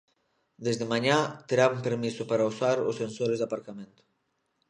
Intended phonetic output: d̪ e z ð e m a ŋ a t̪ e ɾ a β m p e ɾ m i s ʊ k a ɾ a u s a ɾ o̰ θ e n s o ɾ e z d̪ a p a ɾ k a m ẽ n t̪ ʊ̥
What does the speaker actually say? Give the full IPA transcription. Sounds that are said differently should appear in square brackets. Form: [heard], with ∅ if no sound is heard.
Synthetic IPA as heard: d̪ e z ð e m a [ɲ] a t̪ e ɾ a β m p e ɾ m i s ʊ [p] a ɾ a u s a ɾ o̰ [s] e n s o ɾ e z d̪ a p a ɾ k a m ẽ n t̪ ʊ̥